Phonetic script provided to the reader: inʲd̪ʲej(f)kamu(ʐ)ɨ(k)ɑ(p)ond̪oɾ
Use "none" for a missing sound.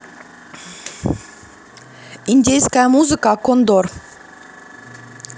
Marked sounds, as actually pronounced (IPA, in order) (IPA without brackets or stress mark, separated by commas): s, z, k, k